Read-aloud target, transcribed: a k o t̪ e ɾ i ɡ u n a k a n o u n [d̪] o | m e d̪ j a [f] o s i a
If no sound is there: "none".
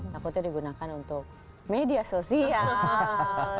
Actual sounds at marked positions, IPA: t̪, s

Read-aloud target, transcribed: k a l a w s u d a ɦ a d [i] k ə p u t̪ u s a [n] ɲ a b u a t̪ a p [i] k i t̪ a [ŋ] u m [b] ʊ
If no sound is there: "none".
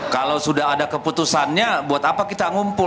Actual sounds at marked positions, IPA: a, n, a, ŋ, p

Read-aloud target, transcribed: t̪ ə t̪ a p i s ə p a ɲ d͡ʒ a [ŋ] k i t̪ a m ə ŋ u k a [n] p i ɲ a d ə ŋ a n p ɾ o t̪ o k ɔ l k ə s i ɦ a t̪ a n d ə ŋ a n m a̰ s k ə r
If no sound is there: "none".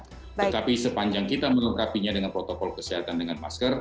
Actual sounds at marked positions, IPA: ŋ, none

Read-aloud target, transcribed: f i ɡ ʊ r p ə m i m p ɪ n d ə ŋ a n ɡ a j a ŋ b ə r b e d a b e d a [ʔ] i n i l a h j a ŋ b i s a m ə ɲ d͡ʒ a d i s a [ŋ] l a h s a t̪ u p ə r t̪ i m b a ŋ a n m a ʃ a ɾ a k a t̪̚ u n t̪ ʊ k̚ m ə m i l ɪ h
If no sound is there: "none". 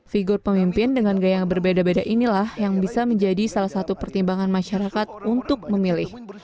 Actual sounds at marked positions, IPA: ʔ, none

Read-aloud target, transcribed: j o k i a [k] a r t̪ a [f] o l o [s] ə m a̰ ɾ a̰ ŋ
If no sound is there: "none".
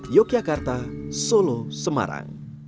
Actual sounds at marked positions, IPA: k, s, s

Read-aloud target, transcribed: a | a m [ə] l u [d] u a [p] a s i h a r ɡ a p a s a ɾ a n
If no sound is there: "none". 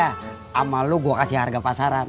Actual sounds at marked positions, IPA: a, ɡ, k

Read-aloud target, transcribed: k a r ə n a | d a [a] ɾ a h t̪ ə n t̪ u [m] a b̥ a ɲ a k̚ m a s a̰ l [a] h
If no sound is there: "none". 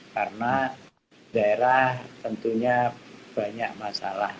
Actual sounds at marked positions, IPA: e, ɲ, a

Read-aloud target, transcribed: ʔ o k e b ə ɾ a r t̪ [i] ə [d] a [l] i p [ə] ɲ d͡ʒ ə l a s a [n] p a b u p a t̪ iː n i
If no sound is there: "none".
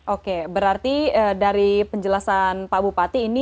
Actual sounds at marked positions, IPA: i, d, ɾ, ə, n

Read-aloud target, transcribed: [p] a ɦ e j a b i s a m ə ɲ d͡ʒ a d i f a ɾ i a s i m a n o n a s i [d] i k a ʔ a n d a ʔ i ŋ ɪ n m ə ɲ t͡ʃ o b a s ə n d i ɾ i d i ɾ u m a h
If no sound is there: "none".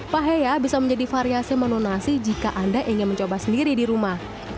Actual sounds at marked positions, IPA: p, d͡ʒ

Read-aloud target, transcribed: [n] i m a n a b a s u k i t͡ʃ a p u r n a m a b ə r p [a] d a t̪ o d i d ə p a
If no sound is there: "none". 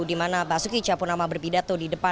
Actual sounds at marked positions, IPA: d, i

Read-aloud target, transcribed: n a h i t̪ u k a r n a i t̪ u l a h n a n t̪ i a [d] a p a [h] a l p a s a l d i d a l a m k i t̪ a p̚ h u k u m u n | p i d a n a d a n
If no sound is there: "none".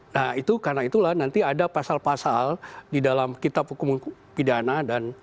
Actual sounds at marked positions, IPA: d, s

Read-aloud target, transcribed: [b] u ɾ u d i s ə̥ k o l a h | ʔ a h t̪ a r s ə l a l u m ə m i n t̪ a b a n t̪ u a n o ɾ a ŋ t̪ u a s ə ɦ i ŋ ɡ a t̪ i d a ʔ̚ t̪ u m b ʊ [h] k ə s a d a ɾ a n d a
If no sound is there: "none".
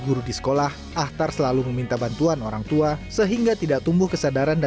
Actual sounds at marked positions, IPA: ɡ, h

